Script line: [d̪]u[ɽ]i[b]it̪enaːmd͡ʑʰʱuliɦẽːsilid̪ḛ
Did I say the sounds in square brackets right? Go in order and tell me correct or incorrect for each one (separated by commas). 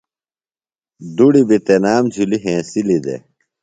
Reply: correct, correct, correct